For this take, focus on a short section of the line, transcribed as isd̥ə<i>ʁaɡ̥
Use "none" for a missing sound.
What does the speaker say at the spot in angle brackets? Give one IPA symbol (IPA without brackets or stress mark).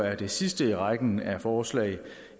i